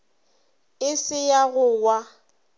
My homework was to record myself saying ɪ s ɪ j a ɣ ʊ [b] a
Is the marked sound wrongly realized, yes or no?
yes